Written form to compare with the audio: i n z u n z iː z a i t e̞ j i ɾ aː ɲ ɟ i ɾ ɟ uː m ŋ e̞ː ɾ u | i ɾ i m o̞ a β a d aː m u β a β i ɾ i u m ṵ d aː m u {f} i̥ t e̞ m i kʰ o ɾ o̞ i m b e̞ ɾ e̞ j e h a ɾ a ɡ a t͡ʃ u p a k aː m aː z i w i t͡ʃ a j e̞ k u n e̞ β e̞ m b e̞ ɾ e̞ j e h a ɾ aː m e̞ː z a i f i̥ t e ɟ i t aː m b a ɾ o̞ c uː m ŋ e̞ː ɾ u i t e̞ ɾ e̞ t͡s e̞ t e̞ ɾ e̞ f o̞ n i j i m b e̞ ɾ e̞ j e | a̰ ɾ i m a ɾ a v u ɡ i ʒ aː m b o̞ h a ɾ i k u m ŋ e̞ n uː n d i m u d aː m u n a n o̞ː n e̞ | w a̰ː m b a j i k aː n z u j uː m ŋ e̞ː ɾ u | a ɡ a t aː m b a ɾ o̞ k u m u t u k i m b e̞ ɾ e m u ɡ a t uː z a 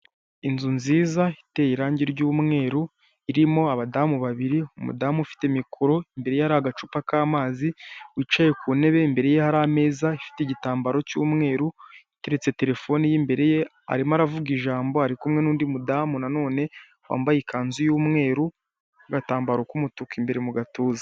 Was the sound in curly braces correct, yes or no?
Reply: yes